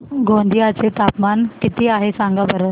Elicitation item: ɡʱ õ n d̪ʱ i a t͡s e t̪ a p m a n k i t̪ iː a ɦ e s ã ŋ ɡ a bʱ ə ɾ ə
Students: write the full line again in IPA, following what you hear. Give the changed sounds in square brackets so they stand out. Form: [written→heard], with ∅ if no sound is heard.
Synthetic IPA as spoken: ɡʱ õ n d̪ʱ i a t͡s e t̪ a p m a n k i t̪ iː a ɦ e s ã ŋ ɡ a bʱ ə ɾ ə